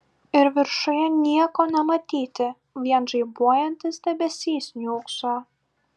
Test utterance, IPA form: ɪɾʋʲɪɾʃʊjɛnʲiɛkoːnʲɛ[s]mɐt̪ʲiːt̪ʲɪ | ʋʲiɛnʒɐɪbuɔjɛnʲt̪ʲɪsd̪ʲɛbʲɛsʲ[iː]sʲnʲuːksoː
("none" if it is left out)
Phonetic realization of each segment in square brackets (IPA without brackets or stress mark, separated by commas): none, iː